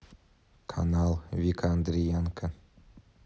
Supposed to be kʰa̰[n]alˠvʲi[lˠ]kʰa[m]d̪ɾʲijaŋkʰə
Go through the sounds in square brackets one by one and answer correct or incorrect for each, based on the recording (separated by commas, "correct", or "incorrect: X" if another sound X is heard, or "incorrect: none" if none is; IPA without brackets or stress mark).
correct, incorrect: none, incorrect: n